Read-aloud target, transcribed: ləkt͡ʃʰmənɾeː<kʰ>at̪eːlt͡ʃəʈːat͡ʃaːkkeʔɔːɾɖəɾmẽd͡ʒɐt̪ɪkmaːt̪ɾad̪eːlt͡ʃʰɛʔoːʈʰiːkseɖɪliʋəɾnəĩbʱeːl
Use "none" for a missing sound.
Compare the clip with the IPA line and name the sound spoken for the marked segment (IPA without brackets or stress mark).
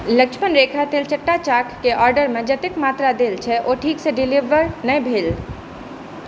kʰ